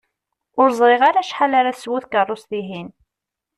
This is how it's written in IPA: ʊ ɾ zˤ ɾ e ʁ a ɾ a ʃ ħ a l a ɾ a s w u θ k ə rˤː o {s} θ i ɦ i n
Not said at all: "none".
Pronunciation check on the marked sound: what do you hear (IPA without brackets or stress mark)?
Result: s